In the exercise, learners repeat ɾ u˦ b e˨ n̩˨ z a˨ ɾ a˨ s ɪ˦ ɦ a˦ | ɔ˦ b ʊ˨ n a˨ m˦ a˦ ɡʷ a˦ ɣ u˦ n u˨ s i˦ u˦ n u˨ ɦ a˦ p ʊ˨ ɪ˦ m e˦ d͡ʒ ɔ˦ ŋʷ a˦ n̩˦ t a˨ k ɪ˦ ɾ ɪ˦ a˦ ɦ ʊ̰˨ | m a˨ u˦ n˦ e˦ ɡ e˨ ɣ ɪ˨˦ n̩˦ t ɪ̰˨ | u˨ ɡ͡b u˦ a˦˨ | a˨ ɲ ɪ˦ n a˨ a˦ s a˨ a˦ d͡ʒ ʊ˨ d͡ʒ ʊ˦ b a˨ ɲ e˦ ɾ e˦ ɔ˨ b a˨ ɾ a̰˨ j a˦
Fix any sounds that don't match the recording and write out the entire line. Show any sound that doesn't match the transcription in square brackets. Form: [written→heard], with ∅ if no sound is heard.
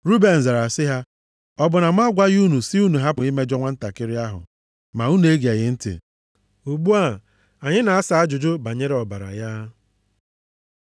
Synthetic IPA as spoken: ɾ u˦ b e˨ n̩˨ z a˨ ɾ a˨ s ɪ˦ ɦ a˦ | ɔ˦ b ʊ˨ n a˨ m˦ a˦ ɡʷ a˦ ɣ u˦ n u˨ s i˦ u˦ n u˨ ɦ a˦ p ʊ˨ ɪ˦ m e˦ d͡ʒ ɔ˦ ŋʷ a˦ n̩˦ t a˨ k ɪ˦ ɾ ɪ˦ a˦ ɦ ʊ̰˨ | m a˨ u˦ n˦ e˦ ɡ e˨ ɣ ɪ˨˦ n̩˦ t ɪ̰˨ | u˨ ɡ͡b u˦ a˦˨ | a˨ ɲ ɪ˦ n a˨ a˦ s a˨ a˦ d͡ʒ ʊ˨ d͡ʒ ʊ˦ b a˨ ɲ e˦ ɾ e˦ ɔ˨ b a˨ ɾ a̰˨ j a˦

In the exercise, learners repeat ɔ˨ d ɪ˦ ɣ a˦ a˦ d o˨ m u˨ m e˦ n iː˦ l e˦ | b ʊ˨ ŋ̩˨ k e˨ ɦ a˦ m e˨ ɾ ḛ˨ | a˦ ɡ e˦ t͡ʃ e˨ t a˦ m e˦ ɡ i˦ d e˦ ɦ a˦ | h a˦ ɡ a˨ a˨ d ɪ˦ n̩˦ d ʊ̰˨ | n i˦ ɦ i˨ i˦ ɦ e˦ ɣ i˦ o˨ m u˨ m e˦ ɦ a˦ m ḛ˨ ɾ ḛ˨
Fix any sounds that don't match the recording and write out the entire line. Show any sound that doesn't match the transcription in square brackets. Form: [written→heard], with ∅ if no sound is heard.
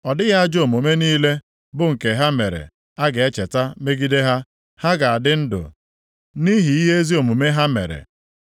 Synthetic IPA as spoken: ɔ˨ d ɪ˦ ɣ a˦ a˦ [d→d͡ʒ] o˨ m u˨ m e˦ n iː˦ l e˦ | b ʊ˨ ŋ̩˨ k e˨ ɦ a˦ m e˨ ɾ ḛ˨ | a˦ ɡ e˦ t͡ʃ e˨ t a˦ m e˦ ɡ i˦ d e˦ ɦ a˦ | h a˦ ɡ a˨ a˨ d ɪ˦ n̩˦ d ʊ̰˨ | n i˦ ɦ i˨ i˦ ɦ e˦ [ɣ→z] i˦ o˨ m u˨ m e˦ ɦ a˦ m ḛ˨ ɾ ḛ˨

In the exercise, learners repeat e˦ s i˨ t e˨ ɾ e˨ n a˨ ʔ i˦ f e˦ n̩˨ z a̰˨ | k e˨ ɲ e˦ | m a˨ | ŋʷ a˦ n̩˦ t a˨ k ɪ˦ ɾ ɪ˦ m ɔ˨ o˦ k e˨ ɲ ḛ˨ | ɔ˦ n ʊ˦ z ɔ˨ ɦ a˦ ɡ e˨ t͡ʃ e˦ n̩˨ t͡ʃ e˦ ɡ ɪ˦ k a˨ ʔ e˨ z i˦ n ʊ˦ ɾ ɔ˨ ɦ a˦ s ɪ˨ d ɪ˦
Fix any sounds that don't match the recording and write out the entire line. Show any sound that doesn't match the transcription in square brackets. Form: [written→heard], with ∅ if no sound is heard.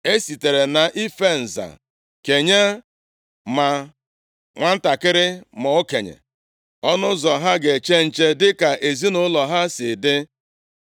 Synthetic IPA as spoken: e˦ s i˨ t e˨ ɾ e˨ n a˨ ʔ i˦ f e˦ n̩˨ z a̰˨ | k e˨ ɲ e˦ | m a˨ | ŋʷ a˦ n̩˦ t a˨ k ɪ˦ ɾ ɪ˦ m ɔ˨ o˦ k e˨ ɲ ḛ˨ | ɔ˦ n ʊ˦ z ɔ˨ ɦ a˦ ɡ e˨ t͡ʃ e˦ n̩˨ t͡ʃ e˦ [ɡ→d] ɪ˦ k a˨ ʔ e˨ z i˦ n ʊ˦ [ɾ→l] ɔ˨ ɦ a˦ s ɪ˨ d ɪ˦

